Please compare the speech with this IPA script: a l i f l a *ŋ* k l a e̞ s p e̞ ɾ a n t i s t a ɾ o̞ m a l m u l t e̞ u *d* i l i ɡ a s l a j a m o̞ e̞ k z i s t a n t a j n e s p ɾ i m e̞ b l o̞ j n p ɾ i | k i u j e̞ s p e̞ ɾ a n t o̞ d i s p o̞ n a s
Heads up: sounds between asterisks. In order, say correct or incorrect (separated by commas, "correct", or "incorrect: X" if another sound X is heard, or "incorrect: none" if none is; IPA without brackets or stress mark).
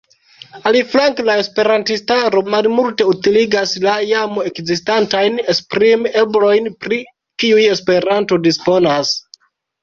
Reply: correct, incorrect: t